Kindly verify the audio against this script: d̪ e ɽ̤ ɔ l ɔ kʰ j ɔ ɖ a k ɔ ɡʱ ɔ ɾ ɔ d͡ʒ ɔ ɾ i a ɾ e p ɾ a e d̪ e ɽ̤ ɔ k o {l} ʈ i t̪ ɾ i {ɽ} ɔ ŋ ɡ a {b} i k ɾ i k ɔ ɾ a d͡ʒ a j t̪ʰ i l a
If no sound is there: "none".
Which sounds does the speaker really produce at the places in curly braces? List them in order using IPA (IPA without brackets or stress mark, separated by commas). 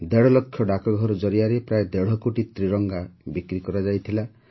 none, ɾ, b